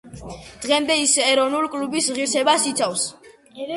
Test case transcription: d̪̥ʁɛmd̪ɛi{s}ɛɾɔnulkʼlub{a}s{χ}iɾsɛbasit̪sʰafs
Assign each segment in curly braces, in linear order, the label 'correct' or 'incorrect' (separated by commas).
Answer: correct, incorrect, incorrect